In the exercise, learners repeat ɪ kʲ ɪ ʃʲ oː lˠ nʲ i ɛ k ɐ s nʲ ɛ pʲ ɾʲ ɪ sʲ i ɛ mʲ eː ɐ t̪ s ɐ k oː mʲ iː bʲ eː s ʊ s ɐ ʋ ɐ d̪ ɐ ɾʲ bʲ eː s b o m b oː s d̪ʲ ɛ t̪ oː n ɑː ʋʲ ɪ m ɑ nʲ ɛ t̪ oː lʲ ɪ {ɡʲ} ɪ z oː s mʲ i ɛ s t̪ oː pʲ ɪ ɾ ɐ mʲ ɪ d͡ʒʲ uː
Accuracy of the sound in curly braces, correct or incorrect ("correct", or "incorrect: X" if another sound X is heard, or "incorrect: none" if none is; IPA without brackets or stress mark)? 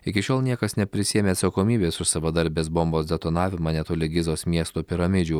correct